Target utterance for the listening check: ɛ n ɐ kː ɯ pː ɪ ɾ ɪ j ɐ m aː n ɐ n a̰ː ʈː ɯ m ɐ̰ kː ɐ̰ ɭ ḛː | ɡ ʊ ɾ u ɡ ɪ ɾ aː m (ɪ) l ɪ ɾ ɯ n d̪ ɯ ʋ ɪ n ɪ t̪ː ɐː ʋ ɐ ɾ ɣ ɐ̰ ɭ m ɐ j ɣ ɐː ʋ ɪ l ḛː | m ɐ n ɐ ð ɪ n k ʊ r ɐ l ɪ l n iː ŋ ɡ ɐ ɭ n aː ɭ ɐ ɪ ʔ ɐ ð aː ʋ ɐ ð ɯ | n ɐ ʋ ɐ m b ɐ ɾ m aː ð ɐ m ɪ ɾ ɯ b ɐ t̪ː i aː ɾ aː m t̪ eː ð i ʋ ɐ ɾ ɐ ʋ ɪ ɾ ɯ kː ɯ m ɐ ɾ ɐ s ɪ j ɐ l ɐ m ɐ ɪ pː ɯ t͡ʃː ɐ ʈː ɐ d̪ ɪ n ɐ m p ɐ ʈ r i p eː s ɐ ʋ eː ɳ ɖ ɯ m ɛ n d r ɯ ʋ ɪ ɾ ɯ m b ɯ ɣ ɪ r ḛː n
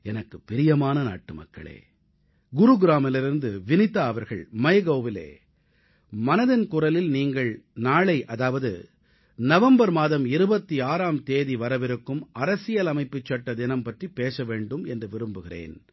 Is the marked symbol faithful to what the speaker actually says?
yes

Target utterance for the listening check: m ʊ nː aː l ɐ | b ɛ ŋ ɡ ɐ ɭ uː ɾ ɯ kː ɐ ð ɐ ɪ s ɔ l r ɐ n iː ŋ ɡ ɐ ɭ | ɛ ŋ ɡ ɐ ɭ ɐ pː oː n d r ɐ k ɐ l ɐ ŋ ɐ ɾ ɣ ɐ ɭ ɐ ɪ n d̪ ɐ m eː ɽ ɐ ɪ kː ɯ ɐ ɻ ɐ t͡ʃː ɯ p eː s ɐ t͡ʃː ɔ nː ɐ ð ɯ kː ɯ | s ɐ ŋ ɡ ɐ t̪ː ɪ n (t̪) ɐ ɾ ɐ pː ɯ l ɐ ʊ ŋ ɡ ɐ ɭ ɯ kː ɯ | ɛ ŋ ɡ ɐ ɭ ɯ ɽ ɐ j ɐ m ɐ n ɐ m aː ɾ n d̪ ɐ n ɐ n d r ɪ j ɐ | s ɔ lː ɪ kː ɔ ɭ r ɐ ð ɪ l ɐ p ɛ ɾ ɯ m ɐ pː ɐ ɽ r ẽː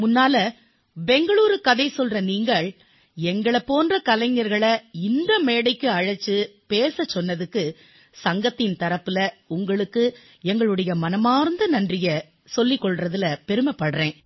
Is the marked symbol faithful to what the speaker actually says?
yes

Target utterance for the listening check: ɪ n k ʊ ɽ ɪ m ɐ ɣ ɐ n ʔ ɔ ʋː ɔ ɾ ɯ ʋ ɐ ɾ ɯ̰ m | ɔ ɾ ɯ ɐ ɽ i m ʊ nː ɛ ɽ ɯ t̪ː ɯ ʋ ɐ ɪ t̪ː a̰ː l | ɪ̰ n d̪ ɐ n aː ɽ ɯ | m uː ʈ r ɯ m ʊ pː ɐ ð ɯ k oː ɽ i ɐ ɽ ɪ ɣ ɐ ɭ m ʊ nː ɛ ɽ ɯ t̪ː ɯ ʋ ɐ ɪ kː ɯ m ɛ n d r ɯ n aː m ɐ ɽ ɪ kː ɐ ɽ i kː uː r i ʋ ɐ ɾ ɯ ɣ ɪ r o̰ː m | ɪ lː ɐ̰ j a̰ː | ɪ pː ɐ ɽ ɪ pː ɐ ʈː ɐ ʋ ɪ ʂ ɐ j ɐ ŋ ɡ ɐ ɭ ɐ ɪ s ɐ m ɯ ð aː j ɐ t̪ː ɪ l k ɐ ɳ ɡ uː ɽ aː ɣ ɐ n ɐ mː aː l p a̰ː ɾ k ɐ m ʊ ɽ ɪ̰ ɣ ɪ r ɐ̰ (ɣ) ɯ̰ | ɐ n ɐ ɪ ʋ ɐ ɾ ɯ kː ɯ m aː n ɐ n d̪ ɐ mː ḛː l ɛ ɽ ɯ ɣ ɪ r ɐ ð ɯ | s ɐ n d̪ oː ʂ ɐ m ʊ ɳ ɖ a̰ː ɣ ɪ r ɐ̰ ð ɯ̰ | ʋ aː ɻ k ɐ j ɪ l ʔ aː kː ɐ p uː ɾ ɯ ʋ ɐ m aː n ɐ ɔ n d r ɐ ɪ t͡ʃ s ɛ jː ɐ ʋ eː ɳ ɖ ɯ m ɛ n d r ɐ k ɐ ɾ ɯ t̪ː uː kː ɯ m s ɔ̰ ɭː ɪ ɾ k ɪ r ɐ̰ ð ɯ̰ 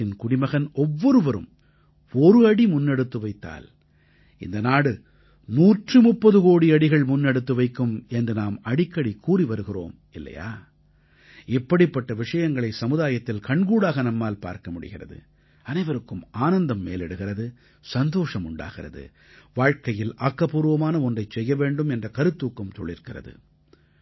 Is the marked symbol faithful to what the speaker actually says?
no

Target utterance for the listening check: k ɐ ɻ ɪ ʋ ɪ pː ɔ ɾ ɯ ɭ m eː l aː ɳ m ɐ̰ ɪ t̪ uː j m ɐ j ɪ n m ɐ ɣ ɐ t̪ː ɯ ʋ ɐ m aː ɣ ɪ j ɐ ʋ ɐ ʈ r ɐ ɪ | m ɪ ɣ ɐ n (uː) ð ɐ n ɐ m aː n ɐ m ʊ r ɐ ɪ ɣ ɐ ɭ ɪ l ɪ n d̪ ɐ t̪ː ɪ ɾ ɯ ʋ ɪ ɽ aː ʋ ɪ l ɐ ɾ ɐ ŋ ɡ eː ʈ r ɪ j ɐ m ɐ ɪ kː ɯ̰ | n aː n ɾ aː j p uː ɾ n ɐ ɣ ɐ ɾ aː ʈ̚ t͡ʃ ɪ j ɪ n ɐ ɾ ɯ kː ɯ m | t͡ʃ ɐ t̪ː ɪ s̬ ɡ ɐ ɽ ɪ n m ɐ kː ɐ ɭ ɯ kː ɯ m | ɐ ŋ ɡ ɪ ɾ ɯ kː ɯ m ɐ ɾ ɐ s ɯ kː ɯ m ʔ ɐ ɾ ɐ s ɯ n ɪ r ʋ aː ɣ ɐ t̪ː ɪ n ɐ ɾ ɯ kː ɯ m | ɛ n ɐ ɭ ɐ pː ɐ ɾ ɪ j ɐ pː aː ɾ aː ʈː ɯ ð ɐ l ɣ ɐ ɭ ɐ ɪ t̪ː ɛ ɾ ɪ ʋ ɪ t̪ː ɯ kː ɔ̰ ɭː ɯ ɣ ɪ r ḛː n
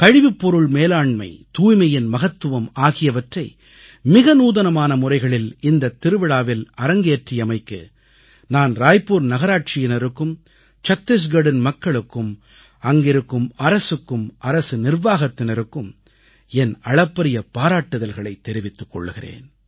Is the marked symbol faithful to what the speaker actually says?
yes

